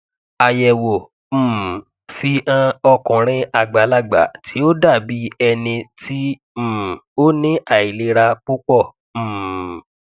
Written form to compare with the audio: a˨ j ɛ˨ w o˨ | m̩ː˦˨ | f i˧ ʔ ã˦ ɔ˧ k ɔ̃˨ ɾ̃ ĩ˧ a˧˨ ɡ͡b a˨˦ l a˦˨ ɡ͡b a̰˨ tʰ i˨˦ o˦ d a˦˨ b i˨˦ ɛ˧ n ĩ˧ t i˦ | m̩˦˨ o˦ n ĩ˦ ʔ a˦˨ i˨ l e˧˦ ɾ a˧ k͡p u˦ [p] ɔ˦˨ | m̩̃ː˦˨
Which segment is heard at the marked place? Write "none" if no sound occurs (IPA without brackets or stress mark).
k͡p